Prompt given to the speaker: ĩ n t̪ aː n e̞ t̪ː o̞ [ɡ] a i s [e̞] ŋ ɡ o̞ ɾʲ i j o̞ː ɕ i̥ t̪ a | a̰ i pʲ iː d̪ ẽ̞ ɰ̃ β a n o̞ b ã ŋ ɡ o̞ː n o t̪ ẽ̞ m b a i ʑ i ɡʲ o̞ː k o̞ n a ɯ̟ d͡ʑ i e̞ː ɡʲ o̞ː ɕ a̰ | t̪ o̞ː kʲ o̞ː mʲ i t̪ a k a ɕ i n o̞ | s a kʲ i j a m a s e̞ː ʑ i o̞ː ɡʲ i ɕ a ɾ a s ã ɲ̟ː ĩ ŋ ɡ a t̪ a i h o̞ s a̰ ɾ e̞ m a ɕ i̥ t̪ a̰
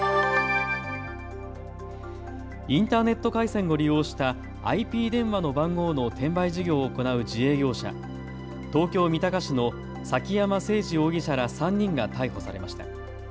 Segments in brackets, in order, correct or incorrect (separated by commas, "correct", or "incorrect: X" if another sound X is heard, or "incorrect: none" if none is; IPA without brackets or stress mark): incorrect: k, incorrect: ẽ̞